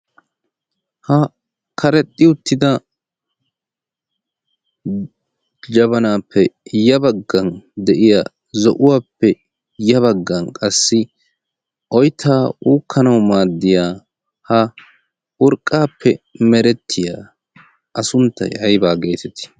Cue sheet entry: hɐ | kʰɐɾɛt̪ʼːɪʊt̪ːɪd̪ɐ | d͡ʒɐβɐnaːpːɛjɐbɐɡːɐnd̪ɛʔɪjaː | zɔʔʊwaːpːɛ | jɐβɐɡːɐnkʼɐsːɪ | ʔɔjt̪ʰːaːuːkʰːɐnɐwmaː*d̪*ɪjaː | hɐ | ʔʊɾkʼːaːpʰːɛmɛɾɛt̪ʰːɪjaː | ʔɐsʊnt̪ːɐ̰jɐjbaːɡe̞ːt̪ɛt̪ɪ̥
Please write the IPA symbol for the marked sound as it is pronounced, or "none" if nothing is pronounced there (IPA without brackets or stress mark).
d̪ː